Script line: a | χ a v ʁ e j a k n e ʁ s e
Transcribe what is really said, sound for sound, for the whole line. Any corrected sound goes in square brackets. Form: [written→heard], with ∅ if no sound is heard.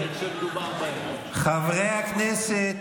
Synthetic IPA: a | χ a v ʁ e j a k n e [ʁ→∅] s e

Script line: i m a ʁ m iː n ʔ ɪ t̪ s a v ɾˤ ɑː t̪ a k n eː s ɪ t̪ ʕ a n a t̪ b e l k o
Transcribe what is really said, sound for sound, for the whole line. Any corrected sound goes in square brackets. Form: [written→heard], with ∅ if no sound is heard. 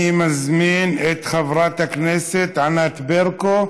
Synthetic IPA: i m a [ʁ→z] m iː n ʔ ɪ t̪ [s→x] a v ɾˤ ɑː t̪ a k n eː s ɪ t̪ ʕ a n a t̪ b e [l→ɾ] k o

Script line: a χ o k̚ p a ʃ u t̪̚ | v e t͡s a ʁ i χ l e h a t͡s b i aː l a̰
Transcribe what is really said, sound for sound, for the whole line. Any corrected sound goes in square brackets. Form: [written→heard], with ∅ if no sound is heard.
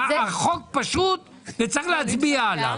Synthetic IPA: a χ o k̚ p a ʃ u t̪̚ | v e t͡s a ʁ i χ l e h a t͡s b i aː l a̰

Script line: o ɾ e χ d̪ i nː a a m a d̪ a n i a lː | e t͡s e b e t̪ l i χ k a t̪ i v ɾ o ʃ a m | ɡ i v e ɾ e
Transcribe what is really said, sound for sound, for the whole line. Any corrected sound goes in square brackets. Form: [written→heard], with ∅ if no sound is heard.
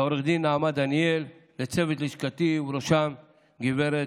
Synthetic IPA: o ɾ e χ d̪ i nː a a m a d̪ a n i [a→e] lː | e t͡s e [b→v] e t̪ l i [χ→ʃ] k a t̪ i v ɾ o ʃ a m | ɡ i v e ɾ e

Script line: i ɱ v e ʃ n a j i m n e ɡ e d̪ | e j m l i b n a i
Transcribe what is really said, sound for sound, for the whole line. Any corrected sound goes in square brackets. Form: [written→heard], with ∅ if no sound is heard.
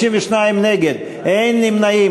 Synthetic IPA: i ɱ v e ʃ n a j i m n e ɡ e d̪ | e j [m→n] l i [b→m] n a i

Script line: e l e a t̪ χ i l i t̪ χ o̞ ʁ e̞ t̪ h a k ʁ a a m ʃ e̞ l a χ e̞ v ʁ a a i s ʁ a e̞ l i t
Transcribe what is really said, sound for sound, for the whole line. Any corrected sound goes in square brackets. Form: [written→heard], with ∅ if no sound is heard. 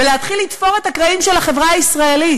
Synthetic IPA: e l e a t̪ χ i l i t̪ [χ→f] o̞ ʁ e̞ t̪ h a k ʁ a [a→i] m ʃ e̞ l a χ e̞ v ʁ a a i s ʁ a e̞ l i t

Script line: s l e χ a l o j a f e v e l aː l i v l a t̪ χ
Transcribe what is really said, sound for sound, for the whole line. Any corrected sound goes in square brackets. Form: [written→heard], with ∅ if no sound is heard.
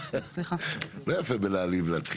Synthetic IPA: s l [e→i] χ a l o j a f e [v→b] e l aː l i v l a t̪ χ

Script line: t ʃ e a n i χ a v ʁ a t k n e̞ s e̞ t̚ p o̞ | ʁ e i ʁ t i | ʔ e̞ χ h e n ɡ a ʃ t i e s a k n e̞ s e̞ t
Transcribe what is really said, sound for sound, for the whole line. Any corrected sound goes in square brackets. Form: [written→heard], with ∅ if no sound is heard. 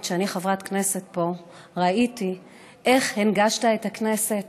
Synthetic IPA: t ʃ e a n i χ a v ʁ a t k n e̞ s e̞ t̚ p o̞ | ʁ [e→a] i [ʁ→∅] t i | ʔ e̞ χ h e n ɡ a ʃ t [i→a] e [s→t] a k n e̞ s e̞ t

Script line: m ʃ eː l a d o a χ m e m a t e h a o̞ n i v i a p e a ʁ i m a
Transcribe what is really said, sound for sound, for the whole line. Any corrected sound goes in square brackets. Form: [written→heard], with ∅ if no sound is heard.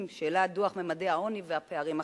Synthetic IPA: m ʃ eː l a d [o→u] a χ m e m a [t→d] e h a o̞ n i v [i→e] a p e a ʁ i m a

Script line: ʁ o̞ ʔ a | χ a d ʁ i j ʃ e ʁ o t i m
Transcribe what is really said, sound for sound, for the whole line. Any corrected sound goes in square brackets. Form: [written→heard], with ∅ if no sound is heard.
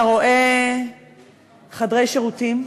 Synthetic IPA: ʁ o̞ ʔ [a→e] | χ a d ʁ [i→e] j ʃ e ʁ [o→u] t i m

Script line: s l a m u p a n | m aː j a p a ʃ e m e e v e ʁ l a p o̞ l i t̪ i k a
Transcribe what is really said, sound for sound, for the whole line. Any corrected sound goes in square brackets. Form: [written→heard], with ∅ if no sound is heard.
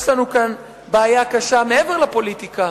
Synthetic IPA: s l a [m→n] u [p→k] a n | [m→b] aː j a [p→k] a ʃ [e→a] m e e v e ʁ l a p o̞ l i t̪ i k a

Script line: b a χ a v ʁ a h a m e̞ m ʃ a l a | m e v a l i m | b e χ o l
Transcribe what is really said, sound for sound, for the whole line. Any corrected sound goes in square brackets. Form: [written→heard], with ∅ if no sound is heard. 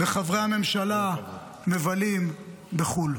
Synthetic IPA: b [a→e] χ a v ʁ [a→e] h a m e̞ m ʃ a l a | m e v a l i m | b e χ [o→u] l

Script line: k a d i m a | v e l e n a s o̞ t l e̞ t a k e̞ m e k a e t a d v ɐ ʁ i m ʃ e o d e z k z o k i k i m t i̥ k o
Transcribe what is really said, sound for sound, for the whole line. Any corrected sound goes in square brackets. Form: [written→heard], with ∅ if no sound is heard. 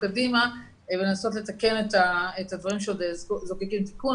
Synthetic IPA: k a d i m a | v e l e n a s o̞ t l e̞ t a k e̞ [m→n] e [k→t] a e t a d v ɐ ʁ i m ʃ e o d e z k z o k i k i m t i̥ k [o→u]

